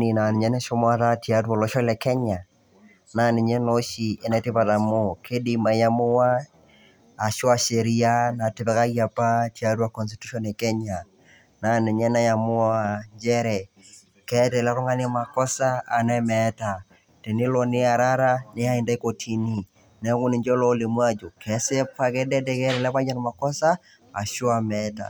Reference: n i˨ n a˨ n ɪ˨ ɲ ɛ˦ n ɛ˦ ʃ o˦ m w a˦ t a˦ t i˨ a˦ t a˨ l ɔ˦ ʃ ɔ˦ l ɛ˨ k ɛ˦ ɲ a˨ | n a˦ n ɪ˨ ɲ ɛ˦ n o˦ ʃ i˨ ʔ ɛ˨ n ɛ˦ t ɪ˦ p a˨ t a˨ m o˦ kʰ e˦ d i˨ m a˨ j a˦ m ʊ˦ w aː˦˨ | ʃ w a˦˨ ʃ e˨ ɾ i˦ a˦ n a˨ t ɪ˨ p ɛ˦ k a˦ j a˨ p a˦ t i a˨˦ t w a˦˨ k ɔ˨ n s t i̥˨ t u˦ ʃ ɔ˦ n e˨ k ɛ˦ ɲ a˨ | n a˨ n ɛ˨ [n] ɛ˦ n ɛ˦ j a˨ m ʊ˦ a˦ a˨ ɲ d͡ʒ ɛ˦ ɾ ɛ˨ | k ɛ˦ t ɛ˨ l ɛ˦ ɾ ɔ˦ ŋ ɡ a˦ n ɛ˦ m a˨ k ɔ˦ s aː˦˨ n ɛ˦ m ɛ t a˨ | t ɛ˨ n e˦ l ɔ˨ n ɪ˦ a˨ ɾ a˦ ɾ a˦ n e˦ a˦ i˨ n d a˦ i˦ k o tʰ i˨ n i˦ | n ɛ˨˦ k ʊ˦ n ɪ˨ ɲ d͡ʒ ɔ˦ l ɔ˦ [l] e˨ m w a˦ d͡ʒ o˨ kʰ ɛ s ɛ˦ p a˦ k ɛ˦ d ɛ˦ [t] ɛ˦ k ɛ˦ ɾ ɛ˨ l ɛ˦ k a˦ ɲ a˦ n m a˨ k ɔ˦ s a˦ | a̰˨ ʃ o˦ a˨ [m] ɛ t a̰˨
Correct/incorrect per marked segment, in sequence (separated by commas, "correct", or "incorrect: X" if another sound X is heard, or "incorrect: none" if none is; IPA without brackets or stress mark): incorrect: ɲ, correct, incorrect: d, correct